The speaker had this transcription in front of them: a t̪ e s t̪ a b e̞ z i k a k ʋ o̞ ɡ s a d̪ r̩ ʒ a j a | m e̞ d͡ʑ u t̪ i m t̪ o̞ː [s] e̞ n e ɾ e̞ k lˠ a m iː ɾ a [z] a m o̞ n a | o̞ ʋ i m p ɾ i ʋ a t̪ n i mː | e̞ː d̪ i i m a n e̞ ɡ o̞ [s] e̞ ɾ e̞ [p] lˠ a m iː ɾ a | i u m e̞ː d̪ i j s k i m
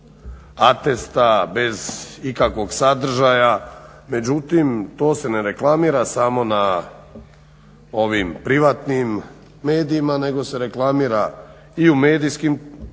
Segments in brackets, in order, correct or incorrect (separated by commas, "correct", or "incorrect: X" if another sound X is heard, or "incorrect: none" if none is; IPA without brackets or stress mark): correct, incorrect: s, correct, incorrect: k